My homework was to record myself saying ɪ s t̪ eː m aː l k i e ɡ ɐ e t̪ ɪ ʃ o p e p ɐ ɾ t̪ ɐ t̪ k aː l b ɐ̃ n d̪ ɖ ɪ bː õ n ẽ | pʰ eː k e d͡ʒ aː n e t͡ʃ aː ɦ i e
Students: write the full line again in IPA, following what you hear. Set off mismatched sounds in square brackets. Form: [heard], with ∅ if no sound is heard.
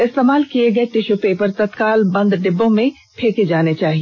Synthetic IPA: ɪ s t̪ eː m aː l k i e ɡ ɐ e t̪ ɪ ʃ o p e p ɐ ɾ t̪ ɐ t̪ k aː l b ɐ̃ n d̪ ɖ ɪ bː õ [m] ẽ | pʰ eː k e d͡ʒ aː n e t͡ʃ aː ɦ i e